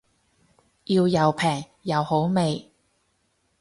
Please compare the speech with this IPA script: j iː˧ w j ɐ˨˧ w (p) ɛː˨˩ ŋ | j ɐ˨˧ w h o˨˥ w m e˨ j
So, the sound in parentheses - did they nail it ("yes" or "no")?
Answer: no